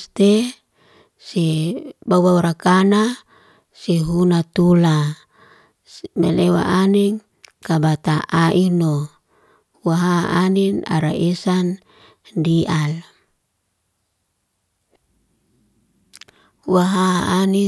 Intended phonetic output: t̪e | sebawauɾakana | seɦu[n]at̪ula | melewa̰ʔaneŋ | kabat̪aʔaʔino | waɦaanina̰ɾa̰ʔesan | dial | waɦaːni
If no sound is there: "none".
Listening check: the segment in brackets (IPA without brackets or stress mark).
n